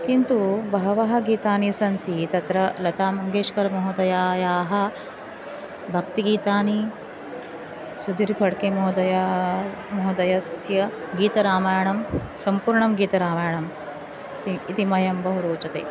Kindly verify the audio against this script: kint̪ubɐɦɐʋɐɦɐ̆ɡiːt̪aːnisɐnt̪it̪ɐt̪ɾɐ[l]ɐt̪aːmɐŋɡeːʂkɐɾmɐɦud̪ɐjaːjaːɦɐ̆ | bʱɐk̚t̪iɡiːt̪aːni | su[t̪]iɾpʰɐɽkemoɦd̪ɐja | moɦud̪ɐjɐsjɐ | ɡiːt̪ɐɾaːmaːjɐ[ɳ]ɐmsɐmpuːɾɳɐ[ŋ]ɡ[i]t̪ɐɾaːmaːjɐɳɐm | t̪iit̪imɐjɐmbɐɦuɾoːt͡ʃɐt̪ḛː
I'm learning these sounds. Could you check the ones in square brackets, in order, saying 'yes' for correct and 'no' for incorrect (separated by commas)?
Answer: yes, no, yes, no, no